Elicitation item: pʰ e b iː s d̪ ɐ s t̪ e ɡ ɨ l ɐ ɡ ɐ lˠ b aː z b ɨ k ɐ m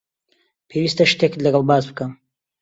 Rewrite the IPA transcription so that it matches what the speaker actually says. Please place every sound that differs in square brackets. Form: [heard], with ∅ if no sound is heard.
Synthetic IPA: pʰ e [w] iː s [t̪] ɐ [ʃ] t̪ e [k] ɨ l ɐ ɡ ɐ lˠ b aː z b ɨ k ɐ m

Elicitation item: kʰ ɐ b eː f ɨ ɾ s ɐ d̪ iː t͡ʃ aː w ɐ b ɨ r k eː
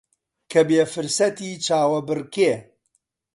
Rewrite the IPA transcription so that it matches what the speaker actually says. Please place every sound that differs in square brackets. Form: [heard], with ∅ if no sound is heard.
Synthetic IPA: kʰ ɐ b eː f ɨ ɾ s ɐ [t̪] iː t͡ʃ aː w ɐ b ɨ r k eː

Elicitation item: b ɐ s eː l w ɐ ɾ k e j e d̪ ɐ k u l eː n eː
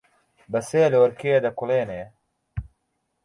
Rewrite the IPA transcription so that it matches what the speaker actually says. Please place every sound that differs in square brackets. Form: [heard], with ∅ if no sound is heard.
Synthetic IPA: b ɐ s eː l w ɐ ɾ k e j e d̪ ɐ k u l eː n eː

